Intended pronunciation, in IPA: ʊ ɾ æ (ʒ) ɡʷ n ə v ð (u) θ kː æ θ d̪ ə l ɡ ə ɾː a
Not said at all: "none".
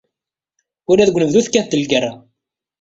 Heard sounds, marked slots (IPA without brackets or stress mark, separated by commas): ð, u